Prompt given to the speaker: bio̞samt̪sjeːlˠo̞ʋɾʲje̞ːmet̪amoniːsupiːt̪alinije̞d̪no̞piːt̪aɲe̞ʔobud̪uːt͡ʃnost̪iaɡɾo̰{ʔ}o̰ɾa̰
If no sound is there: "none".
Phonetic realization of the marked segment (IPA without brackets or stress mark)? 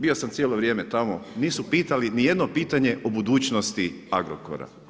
k